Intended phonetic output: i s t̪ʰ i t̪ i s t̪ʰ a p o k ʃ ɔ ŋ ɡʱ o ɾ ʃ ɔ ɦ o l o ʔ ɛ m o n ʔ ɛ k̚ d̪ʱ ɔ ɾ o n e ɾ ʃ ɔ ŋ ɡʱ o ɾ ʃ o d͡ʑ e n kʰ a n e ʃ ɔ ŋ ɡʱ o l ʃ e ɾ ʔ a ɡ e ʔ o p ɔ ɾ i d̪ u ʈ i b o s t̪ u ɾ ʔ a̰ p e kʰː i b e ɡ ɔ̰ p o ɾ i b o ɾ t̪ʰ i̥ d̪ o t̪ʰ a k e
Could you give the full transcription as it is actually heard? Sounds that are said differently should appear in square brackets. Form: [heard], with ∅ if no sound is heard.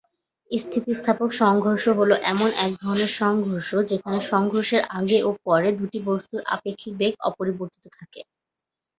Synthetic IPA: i s t̪ʰ i t̪ i s t̪ʰ a p o k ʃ ɔ ŋ ɡʱ o ɾ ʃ [o] ɦ o l o ʔ ɛ m o n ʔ ɛ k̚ d̪ʱ ɔ ɾ o n e ɾ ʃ ɔ ŋ ɡʱ o ɾ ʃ o d͡ʑ e [∅] kʰ a n e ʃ ɔ ŋ ɡʱ o [ɾ] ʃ e ɾ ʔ a ɡ e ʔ o p ɔ ɾ [e] d̪ u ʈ i b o s t̪ u ɾ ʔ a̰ p e kʰː i b e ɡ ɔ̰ p o ɾ i b o ɾ [t̪] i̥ [t̪] o t̪ʰ a k e